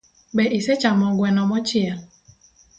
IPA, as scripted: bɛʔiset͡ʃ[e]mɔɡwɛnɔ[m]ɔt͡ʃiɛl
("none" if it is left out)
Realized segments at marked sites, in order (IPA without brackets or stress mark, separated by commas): a, m